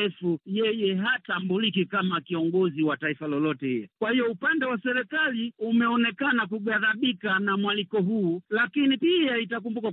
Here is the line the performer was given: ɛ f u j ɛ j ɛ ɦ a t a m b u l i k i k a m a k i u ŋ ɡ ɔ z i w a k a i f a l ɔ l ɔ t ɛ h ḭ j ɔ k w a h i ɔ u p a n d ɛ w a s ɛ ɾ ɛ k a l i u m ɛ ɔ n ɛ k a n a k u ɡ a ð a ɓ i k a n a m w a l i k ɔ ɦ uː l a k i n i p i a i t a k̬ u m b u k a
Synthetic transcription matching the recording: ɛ f u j ɛ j ɛ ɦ a t a m b u l i k i k a m a k i ɔ ŋ ɡ ɔ z i w a t a i f a l ɔ l ɔ t ɛ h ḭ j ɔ k w a h i ɔ u p a n d ɛ w a s ɛ ɾ ɛ k a l i u m ɛ ɔ n ɛ k a n a k u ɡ a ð a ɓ i k a n a m w a l i k ɔ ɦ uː l a k i n i p i a i t a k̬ u m b u k a